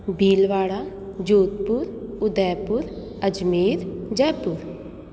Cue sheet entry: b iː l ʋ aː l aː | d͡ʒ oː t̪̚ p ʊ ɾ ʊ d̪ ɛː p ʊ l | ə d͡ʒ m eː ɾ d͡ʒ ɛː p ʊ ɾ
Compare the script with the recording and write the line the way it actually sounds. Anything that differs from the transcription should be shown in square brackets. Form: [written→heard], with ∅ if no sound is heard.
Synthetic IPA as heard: b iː l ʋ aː [l→ɽ] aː | d͡ʒ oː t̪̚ p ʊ ɾ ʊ d̪ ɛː p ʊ [l→ɾ] | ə d͡ʒ m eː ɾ d͡ʒ ɛː p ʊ ɾ